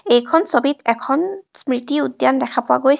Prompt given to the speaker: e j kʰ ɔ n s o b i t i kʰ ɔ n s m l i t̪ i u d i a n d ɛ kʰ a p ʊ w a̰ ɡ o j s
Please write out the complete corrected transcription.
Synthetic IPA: e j kʰ ɔ n s o b i t ɛ kʰ ɔ n s m ɹ i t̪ i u d j a n d ɛ kʰ a p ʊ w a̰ ɡ o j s